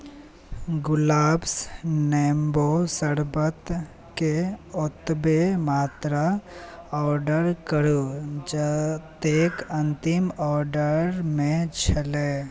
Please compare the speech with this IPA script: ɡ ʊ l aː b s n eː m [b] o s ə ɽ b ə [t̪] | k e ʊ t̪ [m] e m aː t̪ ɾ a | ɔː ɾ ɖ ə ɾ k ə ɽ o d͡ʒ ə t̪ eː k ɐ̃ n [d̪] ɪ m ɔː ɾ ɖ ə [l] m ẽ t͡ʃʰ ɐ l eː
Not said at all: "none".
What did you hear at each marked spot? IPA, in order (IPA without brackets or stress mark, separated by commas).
b, t̪, b, t̪, ɾ